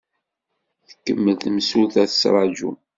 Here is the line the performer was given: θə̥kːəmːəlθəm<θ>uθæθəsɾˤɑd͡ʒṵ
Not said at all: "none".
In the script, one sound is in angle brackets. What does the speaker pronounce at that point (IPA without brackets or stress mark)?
s